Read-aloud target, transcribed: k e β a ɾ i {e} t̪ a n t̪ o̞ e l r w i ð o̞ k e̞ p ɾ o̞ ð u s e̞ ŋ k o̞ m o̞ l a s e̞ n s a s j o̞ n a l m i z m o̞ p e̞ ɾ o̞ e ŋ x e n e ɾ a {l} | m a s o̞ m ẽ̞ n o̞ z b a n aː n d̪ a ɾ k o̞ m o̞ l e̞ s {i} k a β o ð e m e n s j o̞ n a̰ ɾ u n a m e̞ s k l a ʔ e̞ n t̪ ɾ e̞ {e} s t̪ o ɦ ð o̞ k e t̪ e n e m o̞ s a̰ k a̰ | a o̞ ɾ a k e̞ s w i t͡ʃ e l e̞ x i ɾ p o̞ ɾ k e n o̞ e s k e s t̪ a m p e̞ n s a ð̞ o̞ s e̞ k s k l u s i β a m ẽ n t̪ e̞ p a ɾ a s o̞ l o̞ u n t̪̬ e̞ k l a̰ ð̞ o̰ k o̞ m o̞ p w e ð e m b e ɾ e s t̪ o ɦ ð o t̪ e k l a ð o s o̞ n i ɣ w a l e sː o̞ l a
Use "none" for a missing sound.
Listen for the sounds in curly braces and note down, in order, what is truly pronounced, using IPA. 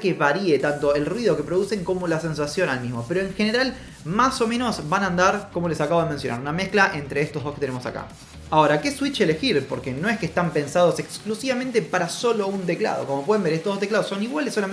e, l, a, e

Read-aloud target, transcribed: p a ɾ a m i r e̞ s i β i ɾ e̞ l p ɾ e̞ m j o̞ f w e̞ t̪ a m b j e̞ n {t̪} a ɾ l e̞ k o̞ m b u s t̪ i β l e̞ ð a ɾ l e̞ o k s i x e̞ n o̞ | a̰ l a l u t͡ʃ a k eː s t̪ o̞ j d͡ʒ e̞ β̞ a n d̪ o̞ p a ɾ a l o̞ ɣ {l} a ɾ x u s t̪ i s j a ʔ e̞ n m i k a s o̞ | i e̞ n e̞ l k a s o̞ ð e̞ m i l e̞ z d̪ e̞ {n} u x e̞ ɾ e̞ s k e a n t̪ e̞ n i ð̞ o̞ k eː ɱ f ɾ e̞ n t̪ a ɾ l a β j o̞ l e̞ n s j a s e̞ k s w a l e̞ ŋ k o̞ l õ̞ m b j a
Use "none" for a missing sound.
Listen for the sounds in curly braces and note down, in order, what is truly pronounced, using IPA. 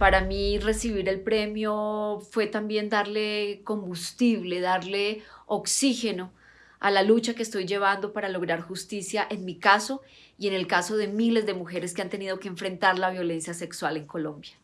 d̪, ɾ, m

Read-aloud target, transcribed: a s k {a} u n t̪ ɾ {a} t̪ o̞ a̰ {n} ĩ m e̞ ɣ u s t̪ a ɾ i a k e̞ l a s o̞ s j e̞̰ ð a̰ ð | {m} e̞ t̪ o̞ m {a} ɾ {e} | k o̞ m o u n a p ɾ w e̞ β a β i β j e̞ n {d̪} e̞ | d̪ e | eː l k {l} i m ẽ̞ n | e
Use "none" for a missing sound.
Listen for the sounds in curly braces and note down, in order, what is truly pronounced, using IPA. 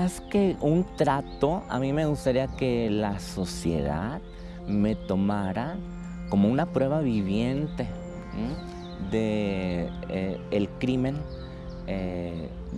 e, a, m, m, a, a, t̪, ɾ

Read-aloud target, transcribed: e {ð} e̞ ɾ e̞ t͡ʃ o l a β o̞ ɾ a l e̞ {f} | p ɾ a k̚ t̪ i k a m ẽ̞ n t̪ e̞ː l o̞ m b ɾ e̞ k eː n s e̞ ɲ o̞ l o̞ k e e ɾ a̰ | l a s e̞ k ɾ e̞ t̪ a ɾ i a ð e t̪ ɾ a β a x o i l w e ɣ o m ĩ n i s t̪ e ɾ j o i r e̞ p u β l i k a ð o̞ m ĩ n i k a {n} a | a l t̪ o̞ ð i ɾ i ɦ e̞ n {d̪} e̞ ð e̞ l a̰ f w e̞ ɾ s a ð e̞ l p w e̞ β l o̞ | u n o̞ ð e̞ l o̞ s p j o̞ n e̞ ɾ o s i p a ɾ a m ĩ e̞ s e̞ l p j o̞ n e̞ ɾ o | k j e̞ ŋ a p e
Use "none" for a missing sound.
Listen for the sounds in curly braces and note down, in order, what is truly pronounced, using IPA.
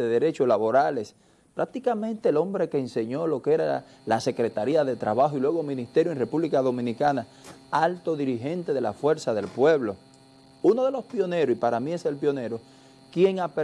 ð, s, n, t̪

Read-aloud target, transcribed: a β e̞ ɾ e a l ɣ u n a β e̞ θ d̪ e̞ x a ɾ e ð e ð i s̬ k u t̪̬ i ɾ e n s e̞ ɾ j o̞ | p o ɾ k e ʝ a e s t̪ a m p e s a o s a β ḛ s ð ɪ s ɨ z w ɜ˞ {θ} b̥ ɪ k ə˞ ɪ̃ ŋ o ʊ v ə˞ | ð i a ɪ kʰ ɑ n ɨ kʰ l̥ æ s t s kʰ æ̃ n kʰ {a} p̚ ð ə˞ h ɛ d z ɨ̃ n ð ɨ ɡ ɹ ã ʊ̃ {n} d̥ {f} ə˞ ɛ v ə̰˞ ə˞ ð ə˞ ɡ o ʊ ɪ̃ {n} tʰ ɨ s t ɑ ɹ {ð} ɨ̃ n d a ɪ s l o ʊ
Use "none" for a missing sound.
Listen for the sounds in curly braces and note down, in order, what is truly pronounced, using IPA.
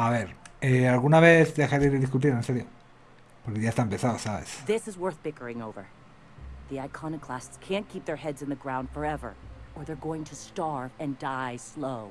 θ, i, n, f, ŋ, v

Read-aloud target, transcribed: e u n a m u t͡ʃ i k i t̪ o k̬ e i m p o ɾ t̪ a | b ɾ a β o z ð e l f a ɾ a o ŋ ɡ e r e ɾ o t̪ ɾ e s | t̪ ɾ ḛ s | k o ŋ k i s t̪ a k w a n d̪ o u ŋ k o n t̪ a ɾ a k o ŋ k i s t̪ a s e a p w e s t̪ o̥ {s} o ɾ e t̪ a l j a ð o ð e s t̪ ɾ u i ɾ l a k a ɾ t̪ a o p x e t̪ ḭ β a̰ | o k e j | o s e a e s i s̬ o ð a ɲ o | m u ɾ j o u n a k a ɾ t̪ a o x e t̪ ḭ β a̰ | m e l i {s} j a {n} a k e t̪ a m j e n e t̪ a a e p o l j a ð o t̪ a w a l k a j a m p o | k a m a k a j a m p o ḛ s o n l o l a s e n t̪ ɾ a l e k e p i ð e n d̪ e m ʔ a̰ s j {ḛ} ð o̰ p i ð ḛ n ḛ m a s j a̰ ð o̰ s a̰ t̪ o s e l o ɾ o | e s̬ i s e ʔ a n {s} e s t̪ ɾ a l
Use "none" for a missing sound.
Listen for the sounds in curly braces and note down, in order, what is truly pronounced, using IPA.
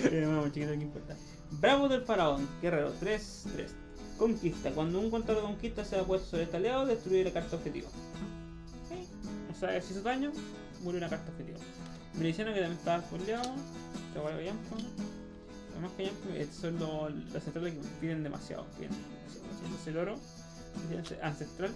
s, s, n, a̰, s

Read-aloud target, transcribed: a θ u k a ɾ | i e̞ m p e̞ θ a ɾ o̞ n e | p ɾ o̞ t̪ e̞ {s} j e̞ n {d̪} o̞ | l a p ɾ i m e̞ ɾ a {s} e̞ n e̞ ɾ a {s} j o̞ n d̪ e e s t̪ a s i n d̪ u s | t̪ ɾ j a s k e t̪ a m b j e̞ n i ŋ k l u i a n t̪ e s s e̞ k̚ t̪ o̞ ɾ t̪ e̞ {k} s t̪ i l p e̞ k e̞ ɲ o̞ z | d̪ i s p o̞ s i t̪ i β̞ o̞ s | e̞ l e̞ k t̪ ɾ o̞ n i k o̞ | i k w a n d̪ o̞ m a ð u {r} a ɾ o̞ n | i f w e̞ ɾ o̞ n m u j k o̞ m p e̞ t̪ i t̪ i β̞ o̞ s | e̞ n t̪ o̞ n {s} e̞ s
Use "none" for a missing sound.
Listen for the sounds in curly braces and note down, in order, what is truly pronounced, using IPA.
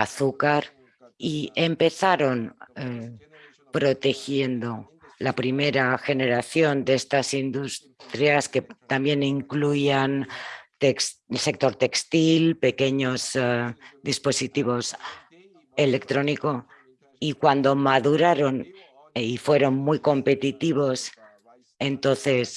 x, d̪, x, θ, k, ɾ, θ

